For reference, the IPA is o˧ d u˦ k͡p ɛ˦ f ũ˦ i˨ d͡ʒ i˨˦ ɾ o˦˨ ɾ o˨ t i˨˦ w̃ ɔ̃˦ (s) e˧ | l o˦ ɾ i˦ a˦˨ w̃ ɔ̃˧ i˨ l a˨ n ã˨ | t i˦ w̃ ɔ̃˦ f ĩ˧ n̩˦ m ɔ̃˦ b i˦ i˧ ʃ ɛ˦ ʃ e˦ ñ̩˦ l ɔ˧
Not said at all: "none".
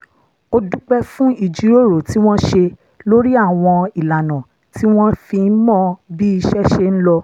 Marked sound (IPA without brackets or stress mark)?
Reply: ʃ